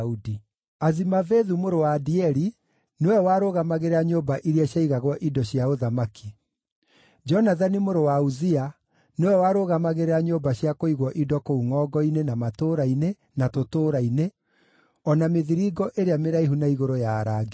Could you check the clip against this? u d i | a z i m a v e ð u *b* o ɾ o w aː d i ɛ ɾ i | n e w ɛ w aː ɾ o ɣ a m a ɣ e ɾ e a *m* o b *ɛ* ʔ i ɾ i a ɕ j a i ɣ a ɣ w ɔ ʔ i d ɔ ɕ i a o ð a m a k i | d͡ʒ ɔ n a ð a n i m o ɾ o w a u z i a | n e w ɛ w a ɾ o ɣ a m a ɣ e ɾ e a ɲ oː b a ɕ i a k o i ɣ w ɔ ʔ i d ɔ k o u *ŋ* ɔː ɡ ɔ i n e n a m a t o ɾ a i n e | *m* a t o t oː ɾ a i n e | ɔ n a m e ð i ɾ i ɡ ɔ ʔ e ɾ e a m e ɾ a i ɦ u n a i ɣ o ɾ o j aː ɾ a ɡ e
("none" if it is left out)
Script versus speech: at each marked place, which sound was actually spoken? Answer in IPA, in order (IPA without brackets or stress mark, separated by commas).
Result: m, ɲ, a, ŋ, n